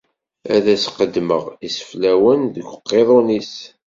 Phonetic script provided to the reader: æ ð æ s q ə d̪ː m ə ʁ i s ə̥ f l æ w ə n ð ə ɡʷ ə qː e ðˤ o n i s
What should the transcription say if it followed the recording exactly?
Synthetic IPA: æ ð æ s q ə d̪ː m ə ʁ i s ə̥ f l æ w ə n ð ə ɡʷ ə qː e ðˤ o n i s